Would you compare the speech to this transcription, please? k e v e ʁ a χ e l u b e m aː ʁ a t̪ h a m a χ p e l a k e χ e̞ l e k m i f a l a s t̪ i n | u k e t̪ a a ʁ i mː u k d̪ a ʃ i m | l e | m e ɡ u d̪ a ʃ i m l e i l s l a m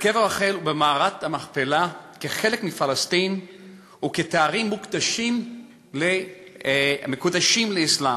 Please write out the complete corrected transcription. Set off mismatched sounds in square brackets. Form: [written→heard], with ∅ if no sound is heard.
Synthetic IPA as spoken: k e v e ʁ a χ e l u b e m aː ʁ a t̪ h a m a χ p e l a k e χ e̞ l e k m i f a l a s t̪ i n | u k e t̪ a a ʁ i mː u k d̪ a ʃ i m | l e | m e [ɡ→k] u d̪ a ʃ i m l e i [l→∅] s l a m

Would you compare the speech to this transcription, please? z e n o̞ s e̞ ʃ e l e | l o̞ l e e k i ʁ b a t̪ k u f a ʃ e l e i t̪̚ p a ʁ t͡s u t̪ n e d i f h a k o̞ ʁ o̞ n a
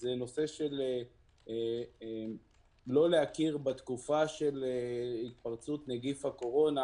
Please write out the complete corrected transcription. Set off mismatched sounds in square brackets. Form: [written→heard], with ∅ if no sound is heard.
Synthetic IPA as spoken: z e n o̞ s e̞ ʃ e l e | l o̞ l e [e→a] k i ʁ b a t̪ k u f a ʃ e l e i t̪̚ p a ʁ t͡s u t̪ n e [d→ɡ] i f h a k o̞ ʁ o̞ n a

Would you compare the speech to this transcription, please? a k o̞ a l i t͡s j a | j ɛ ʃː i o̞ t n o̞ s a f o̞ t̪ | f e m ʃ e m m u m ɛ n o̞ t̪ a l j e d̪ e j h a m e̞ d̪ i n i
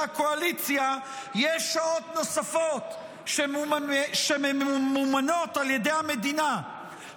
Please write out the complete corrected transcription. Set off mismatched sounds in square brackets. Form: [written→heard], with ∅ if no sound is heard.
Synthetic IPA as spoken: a k o̞ a l i t͡s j a | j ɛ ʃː [i→a] o̞ t n o̞ s a f o̞ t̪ | [f→ʃ] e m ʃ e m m u m [ɛ→a] n o̞ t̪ a l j e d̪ e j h a m e̞ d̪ i n [i→a]

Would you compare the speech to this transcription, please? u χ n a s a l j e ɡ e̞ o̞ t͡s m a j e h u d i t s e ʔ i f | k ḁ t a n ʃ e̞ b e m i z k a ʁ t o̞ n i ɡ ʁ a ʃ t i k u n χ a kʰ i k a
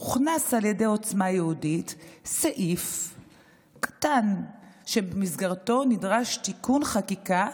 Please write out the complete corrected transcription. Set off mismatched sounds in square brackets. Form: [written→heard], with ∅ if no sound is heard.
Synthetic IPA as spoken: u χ n a s a l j e [ɡ→d] e̞ o̞ t͡s m a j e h u d i t s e ʔ i f | k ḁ t a n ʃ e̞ b e m i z [k→ɡ] a ʁ t o̞ n i [ɡ→d] ʁ a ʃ t i k u n χ a [kʰ→k] i k a

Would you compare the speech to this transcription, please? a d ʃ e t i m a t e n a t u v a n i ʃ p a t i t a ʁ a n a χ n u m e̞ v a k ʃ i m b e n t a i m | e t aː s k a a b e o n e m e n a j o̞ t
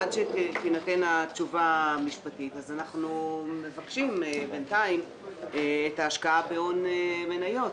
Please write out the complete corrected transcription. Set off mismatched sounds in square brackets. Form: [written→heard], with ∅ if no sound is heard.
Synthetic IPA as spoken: a d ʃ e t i [m→n] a t e n a [t→t͡ʃ] u v a [n→m] i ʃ p a t i t a [ʁ→z] a n a χ n u m e̞ v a k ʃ i m b e n t a i m | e t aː [s→ʃ] k a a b e o n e m e n a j o̞ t

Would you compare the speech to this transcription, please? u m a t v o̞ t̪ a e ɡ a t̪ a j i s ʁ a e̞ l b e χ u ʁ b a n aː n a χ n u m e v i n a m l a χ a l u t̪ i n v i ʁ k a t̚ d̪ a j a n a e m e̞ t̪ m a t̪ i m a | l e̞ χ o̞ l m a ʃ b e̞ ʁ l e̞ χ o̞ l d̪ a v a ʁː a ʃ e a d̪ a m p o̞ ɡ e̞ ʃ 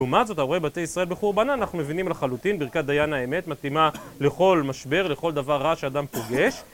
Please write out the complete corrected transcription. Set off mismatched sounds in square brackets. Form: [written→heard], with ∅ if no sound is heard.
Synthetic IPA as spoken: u m a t [v→z] o̞ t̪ a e [ɡ→b] a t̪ [a→e] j i s ʁ a e̞ l b e χ u ʁ b a n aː n a χ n u m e v i n [a→i] m l a χ a l u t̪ i n [v→b] i ʁ k a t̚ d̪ a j a n a e m e̞ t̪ m a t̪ i m a | l e̞ χ o̞ l m a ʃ b e̞ ʁ l e̞ χ o̞ l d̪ a v a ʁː a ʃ e a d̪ a m p o̞ ɡ e̞ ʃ

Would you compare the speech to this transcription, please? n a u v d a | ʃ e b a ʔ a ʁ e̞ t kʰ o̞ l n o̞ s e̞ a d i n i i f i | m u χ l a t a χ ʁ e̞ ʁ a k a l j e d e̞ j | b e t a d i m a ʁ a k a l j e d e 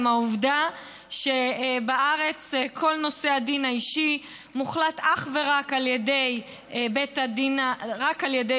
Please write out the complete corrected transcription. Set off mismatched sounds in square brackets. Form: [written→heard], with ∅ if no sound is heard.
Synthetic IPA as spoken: [n→m] a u v d a | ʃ e b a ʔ a ʁ e̞ [t→t͡s] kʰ o̞ l n o̞ s e̞ a d i n [i→a] i [f→ʃ] i | m u χ l a t a χ [ʁ→v] e̞ ʁ a k a l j e d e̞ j | b e t a d i [m→n] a ʁ a k a l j e d e

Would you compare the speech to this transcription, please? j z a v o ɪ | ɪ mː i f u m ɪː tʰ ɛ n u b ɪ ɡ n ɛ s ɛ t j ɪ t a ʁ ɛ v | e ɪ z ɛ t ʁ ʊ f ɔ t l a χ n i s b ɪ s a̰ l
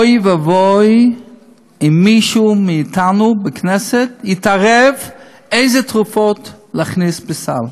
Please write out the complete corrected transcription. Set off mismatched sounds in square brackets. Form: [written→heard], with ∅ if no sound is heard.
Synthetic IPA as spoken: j [z→v] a v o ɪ | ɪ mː i [f→ʃ] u m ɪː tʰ [ɛ→a] n u b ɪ [ɡ→k] n ɛ s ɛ t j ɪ t a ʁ ɛ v | e ɪ z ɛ t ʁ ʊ f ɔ t l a χ n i s b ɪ s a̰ l

